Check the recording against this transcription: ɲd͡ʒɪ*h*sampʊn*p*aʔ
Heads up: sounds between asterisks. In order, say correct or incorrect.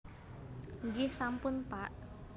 correct, correct

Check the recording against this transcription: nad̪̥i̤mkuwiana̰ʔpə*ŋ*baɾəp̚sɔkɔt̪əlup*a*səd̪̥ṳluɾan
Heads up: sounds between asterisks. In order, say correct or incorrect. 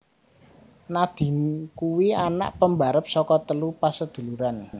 incorrect, correct

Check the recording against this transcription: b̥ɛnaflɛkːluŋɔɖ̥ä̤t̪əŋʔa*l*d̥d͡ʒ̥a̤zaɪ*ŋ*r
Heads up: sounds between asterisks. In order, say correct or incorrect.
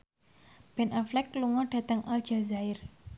correct, incorrect

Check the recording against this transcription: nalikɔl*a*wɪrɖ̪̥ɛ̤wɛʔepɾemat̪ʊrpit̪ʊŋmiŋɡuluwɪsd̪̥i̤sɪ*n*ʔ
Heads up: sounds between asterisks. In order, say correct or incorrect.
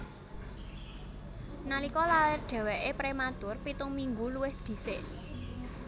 correct, incorrect

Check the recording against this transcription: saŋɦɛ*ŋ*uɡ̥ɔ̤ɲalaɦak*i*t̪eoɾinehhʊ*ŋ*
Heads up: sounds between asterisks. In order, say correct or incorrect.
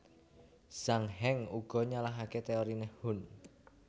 correct, incorrect, incorrect

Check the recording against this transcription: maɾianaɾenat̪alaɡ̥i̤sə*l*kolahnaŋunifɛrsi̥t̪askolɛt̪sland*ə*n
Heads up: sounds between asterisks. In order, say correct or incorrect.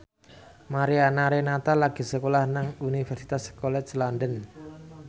incorrect, correct

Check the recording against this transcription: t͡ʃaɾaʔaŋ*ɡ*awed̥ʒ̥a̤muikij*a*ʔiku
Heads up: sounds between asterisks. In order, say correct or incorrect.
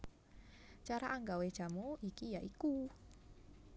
correct, correct

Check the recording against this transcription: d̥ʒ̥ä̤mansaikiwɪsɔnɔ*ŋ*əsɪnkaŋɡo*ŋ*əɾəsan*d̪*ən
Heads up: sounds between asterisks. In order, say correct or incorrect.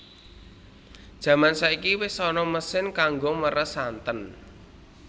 incorrect, incorrect, incorrect

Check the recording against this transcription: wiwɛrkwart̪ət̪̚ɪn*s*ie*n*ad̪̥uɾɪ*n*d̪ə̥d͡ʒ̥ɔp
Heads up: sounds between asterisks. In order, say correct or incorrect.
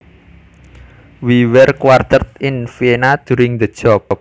incorrect, correct, incorrect

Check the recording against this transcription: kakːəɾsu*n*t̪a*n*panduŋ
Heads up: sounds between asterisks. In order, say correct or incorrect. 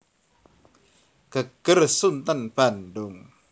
correct, correct

